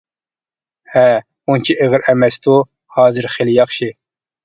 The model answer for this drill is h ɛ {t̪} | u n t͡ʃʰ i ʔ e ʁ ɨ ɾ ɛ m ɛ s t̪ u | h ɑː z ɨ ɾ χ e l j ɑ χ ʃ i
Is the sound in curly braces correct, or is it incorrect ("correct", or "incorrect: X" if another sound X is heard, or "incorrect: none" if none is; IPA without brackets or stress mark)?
incorrect: none